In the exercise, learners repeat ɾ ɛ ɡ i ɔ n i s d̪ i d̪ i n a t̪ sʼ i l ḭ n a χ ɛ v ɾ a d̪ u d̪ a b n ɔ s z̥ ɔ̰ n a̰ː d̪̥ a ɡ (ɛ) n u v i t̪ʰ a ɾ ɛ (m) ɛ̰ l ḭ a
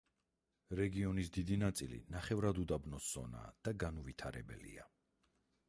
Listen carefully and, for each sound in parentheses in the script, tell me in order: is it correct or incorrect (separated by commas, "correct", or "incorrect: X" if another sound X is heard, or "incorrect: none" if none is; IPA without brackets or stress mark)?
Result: incorrect: a, incorrect: b